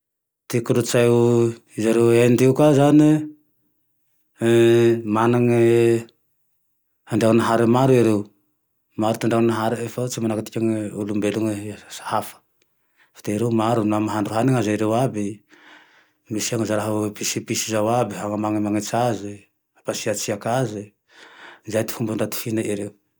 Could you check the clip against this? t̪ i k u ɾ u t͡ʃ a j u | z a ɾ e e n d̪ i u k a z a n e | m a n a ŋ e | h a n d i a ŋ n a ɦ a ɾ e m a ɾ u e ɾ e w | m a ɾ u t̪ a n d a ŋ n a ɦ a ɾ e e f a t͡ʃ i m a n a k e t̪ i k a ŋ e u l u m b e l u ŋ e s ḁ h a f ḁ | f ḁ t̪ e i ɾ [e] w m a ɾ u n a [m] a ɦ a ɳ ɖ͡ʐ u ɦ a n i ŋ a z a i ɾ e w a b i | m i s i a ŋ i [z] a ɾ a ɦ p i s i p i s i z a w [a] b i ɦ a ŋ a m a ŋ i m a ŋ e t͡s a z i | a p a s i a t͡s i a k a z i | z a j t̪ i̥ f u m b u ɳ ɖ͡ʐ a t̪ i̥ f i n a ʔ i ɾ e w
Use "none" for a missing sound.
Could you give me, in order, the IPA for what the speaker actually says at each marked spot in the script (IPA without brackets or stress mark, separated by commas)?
e, m, z, a